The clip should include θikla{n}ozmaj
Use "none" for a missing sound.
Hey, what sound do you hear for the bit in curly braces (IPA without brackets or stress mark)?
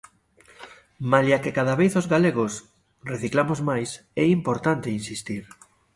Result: m